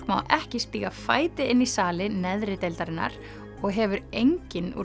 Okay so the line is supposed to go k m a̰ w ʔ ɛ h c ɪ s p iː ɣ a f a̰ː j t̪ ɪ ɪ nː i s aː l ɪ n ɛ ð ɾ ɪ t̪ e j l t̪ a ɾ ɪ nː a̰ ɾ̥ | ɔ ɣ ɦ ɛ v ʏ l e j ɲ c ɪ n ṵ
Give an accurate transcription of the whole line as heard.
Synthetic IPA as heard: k m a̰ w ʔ ɛ h c ɪ s p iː ɣ a f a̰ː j t̪ ɪ ɪ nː i s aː l ɪ n ɛ ð ɾ ɪ t̪ e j l t̪ a ɾ ɪ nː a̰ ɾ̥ | ɔ ɣ ɦ ɛ v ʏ ɾ e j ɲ c ɪ n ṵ